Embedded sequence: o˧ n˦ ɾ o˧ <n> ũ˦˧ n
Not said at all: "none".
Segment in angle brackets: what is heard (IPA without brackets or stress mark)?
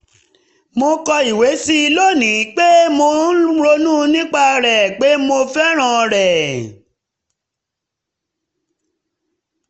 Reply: n